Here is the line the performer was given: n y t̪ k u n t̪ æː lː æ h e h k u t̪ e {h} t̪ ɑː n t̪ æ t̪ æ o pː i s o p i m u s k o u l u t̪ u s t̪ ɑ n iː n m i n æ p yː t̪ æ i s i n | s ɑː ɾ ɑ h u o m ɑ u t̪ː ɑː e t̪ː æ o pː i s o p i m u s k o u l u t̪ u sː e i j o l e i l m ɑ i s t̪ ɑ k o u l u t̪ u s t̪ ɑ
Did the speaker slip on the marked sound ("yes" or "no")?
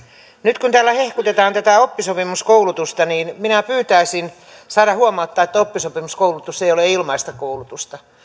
yes